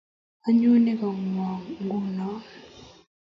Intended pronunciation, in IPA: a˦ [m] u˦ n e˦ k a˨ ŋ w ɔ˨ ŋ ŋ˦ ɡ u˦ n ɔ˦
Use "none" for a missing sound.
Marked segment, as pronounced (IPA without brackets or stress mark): ɲ